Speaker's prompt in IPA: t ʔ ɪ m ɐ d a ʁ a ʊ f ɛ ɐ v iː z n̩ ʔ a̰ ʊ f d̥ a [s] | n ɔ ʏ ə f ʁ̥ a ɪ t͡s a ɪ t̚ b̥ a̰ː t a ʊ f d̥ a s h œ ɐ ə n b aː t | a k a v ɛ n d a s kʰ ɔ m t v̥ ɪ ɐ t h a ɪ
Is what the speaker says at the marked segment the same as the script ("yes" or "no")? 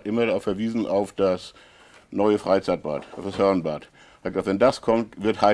yes